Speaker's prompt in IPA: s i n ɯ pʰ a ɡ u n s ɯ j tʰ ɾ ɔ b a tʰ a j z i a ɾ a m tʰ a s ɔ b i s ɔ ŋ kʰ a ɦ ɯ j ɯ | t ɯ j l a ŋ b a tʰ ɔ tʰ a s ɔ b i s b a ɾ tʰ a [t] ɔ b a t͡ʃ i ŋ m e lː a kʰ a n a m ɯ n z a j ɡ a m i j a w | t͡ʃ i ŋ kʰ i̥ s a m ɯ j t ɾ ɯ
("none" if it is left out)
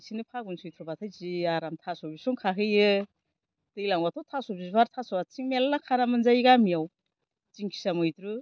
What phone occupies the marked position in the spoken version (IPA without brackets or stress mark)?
s